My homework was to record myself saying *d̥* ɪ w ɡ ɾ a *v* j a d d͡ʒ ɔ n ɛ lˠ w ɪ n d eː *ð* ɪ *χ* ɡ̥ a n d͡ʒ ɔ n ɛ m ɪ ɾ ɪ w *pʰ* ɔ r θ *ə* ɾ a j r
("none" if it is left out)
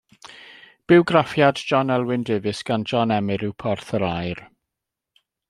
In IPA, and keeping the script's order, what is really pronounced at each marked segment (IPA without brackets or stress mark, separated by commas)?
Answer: b̥, f, v, s, pʰ, ə